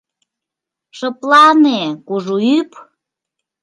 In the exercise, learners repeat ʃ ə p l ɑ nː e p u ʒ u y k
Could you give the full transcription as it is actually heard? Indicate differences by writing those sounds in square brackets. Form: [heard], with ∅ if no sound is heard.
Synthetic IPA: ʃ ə p l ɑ [n] e [k] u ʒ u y [p]